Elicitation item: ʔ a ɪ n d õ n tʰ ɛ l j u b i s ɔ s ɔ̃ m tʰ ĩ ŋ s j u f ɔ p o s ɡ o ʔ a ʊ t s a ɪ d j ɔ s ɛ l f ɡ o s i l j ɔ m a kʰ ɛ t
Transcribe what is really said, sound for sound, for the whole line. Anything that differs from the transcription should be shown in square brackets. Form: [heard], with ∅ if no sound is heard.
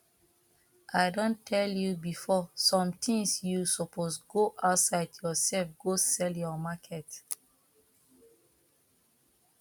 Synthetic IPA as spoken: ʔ a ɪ [∅] d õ n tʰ ɛ l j u b i [f] ɔ s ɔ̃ m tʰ ĩ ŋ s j u [s] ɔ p o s ɡ o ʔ a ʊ t s a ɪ d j ɔ s ɛ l f ɡ o s [ɛ] l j ɔ m a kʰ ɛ t

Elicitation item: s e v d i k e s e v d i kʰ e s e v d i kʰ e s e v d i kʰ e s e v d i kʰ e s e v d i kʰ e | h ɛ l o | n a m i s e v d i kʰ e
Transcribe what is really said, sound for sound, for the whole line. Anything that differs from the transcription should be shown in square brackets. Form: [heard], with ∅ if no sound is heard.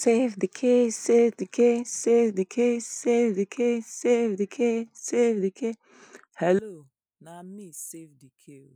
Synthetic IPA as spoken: s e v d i [kʰ] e s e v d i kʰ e s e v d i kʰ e s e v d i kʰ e s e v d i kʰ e s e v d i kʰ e | h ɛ l o | n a m i s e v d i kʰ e

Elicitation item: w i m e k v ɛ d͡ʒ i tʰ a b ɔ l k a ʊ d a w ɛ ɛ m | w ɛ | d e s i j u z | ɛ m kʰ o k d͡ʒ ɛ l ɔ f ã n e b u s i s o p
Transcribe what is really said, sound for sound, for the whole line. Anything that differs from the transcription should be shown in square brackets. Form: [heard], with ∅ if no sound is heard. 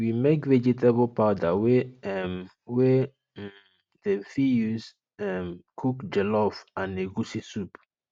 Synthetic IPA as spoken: w i m e k v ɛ d͡ʒ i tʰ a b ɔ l [p] a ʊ d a w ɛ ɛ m | w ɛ | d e [f] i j u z | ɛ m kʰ [u] k d͡ʒ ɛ l ɔ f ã n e [ɡ] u s i s [u] p

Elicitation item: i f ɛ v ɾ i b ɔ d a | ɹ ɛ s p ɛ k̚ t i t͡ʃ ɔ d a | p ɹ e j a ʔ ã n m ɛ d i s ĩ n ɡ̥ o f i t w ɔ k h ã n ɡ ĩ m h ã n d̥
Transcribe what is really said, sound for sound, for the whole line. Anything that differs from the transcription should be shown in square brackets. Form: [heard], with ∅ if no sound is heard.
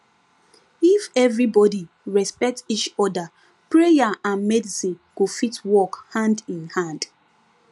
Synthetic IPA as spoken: i f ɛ v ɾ i b ɔ d [i] | ɹ ɛ s p ɛ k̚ t i t͡ʃ ɔ d a | p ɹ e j a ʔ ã n m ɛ d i s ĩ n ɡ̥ o f i t w ɔ k h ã n [d] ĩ [n] h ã n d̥

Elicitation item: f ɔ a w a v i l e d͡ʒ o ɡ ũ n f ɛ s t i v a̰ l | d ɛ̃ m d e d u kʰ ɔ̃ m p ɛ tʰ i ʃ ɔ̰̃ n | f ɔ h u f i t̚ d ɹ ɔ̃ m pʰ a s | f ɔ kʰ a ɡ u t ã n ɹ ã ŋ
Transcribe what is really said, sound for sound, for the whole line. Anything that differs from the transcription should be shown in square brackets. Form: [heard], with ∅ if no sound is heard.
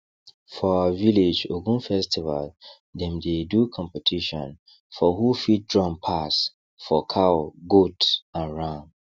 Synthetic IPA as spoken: f ɔ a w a v i l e d͡ʒ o ɡ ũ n f ɛ s t i v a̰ l | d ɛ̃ m d e d u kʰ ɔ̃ m p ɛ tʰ i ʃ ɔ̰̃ n | f ɔ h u f i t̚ d ɹ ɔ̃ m pʰ a s | f ɔ kʰ a ɡ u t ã n ɹ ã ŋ

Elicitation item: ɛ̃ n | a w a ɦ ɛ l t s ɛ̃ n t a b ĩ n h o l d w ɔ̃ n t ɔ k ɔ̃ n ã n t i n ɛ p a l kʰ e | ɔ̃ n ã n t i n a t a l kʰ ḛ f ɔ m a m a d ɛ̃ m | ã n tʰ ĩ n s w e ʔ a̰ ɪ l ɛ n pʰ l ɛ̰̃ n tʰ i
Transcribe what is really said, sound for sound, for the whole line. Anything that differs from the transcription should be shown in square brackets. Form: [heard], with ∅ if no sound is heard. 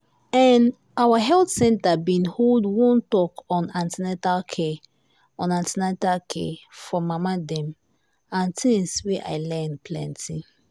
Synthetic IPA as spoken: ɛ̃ n | a w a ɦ ɛ l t s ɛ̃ n t a b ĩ n h o l d w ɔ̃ n t ɔ k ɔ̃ n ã n t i n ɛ [t] a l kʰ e | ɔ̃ n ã n t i n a t a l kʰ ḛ f ɔ m a m a d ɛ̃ m | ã n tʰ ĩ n s w e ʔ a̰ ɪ l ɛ n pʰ l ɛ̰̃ n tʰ i

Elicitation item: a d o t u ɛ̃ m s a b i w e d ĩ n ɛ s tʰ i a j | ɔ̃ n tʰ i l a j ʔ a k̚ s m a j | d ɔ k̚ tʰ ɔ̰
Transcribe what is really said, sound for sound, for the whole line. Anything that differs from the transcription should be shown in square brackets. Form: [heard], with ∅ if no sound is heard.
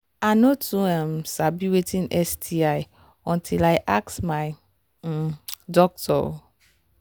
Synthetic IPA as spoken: a [n] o t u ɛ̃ m s a b i w e [t] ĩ n ɛ s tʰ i a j | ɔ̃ n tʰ i l a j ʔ a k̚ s m a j | d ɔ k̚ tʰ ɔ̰

